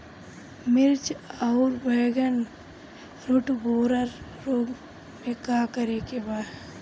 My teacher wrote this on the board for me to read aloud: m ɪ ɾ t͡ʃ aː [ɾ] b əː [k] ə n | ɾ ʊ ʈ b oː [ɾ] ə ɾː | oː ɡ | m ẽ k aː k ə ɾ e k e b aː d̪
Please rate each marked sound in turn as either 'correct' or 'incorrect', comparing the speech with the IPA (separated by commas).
correct, incorrect, correct